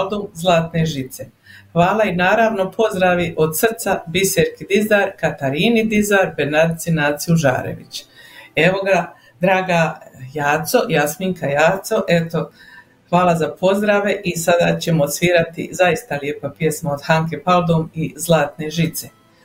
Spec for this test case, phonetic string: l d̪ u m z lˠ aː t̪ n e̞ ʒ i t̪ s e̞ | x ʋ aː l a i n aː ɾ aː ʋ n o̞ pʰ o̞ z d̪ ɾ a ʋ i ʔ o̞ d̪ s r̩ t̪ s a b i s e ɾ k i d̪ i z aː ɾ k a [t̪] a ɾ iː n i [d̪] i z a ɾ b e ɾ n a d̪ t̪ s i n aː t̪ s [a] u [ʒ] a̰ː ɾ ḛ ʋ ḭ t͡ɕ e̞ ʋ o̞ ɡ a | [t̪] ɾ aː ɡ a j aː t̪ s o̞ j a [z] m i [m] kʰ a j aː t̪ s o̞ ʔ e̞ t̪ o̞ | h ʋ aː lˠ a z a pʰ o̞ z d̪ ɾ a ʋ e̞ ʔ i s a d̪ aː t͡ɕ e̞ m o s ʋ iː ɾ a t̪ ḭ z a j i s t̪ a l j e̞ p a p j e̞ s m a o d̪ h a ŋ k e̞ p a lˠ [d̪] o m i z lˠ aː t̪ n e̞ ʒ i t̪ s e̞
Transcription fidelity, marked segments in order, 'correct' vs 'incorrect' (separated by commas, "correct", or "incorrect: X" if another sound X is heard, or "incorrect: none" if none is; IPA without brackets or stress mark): correct, correct, incorrect: i, correct, incorrect: d̪, incorrect: s, incorrect: ŋ, correct